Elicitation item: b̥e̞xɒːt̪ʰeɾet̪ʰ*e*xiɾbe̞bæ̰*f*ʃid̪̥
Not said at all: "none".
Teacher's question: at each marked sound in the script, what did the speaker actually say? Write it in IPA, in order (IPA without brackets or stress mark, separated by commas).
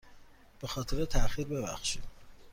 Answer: æ, x